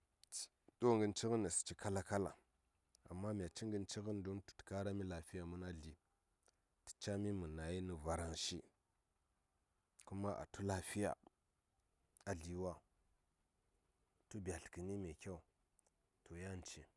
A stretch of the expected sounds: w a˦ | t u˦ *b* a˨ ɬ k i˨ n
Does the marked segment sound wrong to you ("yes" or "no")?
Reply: no